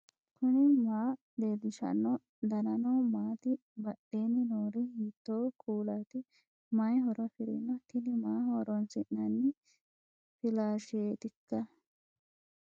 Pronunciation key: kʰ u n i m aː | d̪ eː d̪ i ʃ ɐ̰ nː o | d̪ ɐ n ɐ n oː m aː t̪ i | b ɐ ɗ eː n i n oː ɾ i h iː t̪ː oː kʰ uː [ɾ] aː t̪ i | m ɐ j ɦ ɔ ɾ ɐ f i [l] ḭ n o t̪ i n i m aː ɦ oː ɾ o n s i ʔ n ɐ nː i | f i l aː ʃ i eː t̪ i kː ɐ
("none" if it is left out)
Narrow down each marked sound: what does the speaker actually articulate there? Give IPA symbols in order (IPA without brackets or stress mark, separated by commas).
l, ɾ